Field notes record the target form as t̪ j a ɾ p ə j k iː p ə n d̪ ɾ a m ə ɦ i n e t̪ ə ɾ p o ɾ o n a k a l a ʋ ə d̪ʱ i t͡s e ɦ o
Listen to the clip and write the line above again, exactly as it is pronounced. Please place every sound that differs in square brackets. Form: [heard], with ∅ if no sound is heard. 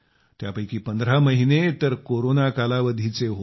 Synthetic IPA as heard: t̪ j a [∅] p ə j k iː p ə n d̪ ɾ a m ə ɦ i n e t̪ ə ɾ [k] o ɾ o n a k a l a ʋ ə d̪ʱ i t͡s e ɦ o